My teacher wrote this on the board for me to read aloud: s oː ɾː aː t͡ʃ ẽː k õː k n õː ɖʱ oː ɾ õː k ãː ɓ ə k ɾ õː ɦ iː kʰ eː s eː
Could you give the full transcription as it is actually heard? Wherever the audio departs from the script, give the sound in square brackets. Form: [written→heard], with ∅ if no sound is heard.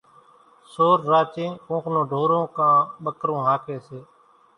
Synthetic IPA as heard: s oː ɾː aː t͡ʃ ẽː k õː k n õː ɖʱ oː ɾ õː k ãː ɓ ə k ɾ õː ɦ [iː→aː] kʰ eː s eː